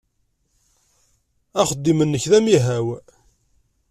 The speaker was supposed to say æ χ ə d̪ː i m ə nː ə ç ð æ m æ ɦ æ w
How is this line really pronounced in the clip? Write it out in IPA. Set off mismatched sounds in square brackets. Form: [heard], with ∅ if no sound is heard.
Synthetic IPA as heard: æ χ ə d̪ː i m ə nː ə ç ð æ m [i] ɦ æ w